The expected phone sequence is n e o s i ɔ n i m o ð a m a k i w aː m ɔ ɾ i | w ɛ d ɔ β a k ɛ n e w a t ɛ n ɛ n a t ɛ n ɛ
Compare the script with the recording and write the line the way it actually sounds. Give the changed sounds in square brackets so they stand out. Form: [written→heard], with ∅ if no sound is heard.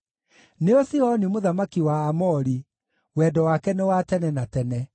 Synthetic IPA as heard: n e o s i ɔ n i m o ð a m a k i w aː m ɔ ɾ i | w ɛ d ɔ [β→w] a k ɛ n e w a t ɛ n ɛ n a t ɛ n ɛ

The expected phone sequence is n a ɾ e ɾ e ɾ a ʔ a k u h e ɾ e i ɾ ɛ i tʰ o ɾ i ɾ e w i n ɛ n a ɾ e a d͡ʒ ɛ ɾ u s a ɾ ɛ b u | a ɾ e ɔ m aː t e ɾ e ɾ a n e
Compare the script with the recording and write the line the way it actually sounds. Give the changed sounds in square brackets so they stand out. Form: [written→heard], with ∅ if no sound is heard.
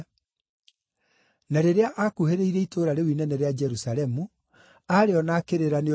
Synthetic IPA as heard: n a ɾ e ɾ e [ɾ→∅] a ʔ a k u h e ɾ e i ɾ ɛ i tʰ o ɾ [i→a] ɾ e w i n ɛ n [a→ɛ] ɾ e a d͡ʒ ɛ ɾ u s a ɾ ɛ [b→m] u | a ɾ e ɔ [m→n] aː [t→k] e ɾ e ɾ a n e

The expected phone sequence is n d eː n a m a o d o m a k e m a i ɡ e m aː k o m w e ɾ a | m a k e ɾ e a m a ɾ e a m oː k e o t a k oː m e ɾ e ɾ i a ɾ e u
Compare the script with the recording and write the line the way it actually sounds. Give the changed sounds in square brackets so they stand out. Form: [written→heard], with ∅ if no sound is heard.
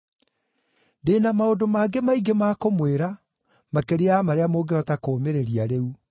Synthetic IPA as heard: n d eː n a m a o d o m a [k→ɡ] e m a i ɡ e m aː k o m w e ɾ a | m a k e ɾ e a m a ɾ e a m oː [k→ɡ] e [o→ɔ] t a k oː m e ɾ e ɾ i a ɾ e u

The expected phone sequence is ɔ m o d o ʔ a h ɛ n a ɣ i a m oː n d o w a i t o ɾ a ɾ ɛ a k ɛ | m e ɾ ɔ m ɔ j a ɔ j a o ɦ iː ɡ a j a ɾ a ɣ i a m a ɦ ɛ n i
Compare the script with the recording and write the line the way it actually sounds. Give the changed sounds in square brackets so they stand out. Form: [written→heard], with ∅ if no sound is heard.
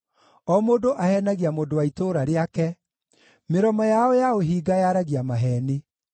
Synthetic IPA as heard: ɔ m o d o ʔ a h ɛ n a ɣ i a m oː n d o w a i t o ɾ a ɾ [ɛ→e] a k ɛ | m e ɾ ɔ m ɔ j a ɔ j a o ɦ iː ɡ a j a ɾ a ɣ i a m a ɦ ɛ n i

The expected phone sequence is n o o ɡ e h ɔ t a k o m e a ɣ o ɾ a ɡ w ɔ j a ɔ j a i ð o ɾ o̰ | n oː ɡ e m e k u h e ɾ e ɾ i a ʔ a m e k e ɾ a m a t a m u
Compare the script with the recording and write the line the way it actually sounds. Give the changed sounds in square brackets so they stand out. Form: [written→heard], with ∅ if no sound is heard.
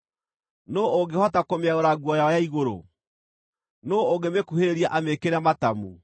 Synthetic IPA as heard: n o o ɡ e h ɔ t a k o m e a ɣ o ɾ a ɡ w ɔ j a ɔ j a i [ð→ɣ] o ɾ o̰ | n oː ɡ e m e k u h e ɾ e ɾ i a ʔ a m e k e ɾ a m a t a m u

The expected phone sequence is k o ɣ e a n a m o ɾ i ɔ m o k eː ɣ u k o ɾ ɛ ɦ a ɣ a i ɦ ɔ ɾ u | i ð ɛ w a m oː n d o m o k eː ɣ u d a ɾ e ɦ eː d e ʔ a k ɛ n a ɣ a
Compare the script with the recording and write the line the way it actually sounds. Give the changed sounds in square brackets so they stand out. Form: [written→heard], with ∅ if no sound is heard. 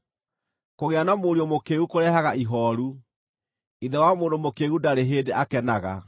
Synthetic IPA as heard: k o ɣ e a n a m o ɾ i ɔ m o k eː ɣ u k o ɾ ɛ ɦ a ɣ a i ɦ ɔ ɾ u | i ð ɛ w a m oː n d o m o k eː ɣ u d a ɾ e ɦ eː d e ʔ a k ɛ n a ɣ a

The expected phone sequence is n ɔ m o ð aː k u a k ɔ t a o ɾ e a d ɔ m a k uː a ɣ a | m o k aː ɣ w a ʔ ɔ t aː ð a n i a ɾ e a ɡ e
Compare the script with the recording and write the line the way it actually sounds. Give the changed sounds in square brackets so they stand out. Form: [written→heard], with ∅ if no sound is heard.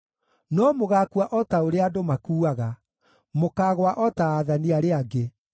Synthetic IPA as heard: n ɔ m o [ð→ɣ] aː k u a [k→ʔ] ɔ t a o ɾ e a d [ɔ→o] m a k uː a ɣ a | m o k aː ɣ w a ʔ ɔ t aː ð a n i a ɾ e a ɡ e

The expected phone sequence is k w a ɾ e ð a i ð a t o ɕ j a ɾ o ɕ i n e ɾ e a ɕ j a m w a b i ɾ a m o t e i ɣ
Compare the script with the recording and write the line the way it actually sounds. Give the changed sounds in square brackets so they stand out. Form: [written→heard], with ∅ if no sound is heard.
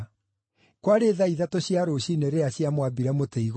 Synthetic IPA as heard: k w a ɾ e ð a i ð a t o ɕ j a ɾ o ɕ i n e ɾ e a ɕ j a m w a b i ɾ a m o t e i ɣ

